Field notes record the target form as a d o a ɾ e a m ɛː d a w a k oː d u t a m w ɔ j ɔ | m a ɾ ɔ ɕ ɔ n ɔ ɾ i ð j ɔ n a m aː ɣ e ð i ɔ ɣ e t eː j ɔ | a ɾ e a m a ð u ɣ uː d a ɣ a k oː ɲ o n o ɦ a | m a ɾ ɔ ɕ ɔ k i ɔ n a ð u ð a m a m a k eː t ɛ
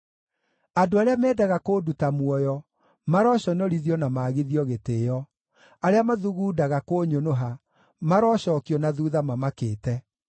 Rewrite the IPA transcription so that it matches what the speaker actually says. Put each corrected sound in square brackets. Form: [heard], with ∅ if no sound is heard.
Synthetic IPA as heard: a d o a ɾ e a m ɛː d a [ɣ] a k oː d u t a m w ɔ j ɔ | m a ɾ ɔ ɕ ɔ n ɔ ɾ i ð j ɔ n a m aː ɣ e ð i ɔ ɣ e t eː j ɔ | a ɾ e a m a ð u ɣ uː d a ɣ a k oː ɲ o n o ɦ a | m a ɾ ɔ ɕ ɔ k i ɔ n a ð u ð a m a m a k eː t ɛ